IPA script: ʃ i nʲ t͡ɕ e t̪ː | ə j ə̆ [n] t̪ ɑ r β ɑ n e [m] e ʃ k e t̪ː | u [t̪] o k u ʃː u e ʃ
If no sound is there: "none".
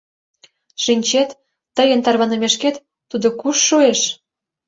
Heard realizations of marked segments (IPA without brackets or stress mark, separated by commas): n, m, d̪